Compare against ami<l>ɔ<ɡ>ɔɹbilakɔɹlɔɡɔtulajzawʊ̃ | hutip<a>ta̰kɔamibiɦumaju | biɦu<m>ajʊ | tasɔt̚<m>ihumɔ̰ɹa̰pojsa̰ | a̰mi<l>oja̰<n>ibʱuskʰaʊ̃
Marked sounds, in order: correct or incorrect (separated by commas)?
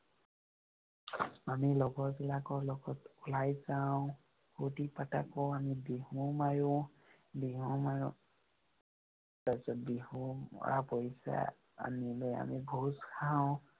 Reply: correct, correct, correct, correct, incorrect, correct, incorrect